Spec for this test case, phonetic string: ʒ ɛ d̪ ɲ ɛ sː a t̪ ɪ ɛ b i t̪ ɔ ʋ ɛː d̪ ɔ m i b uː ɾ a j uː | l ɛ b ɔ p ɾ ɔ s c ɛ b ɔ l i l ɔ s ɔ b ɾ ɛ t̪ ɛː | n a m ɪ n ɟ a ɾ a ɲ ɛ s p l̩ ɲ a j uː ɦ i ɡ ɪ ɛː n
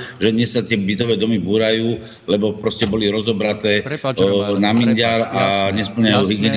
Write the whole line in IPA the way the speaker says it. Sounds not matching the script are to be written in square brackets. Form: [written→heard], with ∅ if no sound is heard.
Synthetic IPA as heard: ʒ ɛ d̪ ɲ ɛ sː a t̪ ɪ ɛ b i t̪ ɔ ʋ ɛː d̪ ɔ m i b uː ɾ a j uː | l ɛ b ɔ p ɾ ɔ s c ɛ b ɔ l i [l→ɾ] ɔ [s→z] ɔ b ɾ [ɛ→a] t̪ ɛː | n a m [ɪ→i] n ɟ a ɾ a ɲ ɛ s p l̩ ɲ a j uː ɦ i ɡ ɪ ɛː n